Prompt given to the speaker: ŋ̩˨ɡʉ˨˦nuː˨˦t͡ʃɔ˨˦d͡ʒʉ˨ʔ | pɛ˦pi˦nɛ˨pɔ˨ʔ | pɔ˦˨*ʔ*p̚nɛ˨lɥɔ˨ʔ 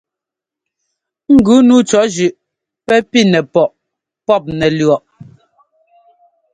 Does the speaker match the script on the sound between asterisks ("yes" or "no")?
no